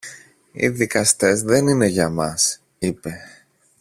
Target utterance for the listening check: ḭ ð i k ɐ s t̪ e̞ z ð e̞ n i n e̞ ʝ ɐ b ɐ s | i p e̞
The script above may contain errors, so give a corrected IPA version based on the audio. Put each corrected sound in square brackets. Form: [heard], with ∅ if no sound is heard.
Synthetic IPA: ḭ ð i k ɐ s t̪ e̞ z ð e̞ n i n e̞ ʝ ɐ [m] ɐ s | i p e̞